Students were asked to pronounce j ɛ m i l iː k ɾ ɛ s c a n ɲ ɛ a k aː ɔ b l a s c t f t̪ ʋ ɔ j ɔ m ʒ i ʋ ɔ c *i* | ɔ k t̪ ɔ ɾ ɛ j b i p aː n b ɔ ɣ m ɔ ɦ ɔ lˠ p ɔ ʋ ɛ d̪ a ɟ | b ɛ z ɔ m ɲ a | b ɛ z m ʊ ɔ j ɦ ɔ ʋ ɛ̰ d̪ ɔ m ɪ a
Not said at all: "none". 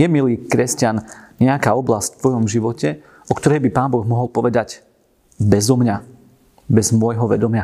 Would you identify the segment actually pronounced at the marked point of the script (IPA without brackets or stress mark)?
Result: ɛ